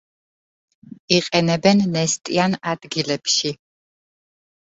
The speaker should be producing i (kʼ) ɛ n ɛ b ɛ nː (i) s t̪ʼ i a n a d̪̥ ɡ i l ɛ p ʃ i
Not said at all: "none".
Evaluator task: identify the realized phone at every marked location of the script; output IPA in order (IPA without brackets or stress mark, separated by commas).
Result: qʼ, ɛ